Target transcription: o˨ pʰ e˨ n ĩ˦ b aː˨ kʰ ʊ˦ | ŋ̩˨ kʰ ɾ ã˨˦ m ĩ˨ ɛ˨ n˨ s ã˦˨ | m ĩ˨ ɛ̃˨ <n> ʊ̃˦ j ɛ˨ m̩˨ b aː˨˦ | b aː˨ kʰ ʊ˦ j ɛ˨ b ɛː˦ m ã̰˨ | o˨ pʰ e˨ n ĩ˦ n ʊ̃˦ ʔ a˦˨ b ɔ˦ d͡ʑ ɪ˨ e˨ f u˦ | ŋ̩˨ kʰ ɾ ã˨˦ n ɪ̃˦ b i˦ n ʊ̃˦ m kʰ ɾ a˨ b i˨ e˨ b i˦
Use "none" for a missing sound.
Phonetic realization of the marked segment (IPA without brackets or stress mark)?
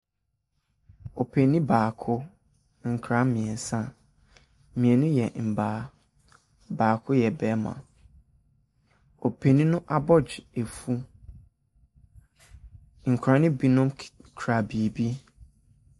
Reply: n